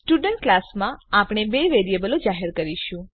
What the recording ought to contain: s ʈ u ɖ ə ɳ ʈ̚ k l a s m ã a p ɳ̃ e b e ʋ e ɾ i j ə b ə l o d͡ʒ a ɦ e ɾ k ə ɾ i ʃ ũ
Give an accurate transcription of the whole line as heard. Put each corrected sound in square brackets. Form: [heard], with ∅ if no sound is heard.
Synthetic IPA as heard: s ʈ u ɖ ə ɳ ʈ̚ k l a s m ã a p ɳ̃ e b e ʋ e ɾ i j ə b ə l o d͡ʒ a ɦ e ɾ k ə ɾ i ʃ ũ